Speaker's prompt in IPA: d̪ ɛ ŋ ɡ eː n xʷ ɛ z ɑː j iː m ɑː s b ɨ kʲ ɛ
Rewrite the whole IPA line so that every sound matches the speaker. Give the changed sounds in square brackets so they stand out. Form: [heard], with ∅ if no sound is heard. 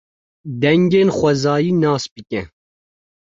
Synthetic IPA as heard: d̪ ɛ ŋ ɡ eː n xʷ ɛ z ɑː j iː [n] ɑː s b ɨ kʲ ɛ